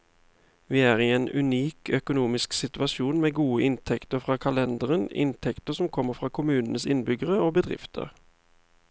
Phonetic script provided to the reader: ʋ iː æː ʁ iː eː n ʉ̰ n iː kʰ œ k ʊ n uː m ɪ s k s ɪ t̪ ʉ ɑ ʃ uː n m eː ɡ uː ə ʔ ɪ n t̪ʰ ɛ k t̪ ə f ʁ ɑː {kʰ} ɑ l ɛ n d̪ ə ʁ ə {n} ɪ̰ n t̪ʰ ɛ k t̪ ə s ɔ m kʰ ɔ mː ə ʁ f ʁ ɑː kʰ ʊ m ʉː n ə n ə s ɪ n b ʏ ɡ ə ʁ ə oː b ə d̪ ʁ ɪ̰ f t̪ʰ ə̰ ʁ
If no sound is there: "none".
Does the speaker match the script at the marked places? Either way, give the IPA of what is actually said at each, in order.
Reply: kʰ, n

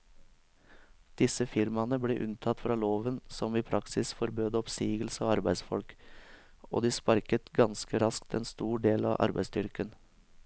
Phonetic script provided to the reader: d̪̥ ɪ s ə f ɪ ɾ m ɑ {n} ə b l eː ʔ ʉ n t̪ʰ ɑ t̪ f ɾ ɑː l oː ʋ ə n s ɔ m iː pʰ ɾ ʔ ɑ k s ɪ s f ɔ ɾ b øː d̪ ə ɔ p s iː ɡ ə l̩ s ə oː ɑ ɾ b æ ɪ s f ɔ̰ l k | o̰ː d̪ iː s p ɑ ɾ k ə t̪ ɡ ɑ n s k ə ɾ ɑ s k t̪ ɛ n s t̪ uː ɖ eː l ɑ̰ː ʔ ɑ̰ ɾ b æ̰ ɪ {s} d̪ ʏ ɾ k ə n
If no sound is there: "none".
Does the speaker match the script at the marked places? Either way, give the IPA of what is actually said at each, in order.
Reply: n, s

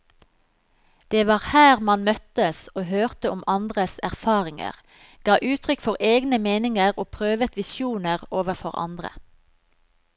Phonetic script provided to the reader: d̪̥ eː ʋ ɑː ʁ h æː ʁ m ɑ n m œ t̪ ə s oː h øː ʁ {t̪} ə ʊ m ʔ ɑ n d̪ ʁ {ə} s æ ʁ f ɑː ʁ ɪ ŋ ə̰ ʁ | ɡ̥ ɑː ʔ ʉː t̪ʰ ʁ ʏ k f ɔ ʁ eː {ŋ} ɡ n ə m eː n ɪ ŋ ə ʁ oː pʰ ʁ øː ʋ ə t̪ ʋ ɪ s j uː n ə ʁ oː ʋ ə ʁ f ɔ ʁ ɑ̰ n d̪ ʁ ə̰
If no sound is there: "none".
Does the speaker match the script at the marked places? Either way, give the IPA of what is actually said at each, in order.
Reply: t̪, ə, none

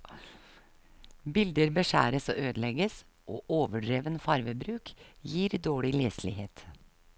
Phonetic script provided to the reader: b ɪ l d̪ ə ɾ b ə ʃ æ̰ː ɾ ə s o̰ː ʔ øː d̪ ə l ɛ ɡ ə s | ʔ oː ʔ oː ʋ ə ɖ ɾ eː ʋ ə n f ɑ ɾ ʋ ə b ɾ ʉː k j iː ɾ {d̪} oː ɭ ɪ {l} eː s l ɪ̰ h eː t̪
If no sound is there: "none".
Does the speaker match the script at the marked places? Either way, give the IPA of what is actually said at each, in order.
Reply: d̪, l

